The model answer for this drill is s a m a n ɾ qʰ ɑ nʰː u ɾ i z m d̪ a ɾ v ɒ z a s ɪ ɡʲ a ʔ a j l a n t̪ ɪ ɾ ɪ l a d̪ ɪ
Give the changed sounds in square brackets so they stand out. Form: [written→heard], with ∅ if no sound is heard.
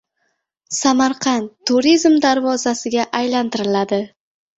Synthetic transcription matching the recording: s a m a [n→∅] ɾ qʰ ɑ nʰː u ɾ i z m d̪ a ɾ v ɒ z a s ɪ ɡʲ a ʔ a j l a n t̪ ɪ ɾ ɪ l a d̪ ɪ